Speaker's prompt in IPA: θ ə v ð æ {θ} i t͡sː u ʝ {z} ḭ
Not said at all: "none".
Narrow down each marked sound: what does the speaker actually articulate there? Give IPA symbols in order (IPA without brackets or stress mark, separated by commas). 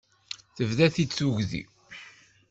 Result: θ, ð